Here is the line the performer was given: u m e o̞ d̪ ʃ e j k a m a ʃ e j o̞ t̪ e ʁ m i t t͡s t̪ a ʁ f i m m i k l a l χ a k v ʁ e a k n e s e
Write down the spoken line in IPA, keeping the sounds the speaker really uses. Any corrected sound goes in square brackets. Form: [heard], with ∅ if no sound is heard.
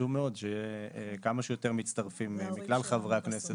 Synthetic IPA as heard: u m e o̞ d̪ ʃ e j k a m a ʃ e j o̞ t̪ e ʁ m i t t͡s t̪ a ʁ f i m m i k l a l χ a [∅] v ʁ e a k n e s e